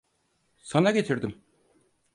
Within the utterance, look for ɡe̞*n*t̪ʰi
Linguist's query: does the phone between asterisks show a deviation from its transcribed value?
yes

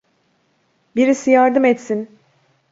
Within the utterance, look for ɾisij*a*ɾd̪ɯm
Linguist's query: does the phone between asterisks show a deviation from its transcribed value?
no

